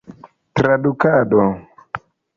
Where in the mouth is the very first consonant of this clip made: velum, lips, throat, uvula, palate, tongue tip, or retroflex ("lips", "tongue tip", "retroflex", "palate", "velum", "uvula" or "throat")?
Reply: tongue tip